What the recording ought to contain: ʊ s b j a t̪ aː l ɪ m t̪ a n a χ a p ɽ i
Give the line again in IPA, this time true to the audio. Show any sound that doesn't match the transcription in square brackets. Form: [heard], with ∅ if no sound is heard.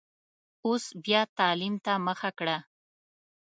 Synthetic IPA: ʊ s b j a t̪ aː l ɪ m t̪ a [m] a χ a [k] ɽ [a]